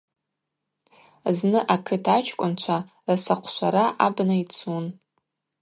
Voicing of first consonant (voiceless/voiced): voiced